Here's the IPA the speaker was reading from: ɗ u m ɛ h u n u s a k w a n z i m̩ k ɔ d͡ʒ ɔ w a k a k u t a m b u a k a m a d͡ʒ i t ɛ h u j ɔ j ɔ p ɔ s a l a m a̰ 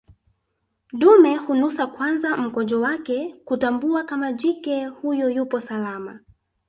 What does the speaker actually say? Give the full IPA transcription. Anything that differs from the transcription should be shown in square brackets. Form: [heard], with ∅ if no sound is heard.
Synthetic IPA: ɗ u m ɛ h u n u s a k w a n z [a] m̩ k ɔ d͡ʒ ɔ w a k [ɛ] k u t a m b u a k a m a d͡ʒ i [k] ɛ h u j ɔ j [u] p ɔ s a l a m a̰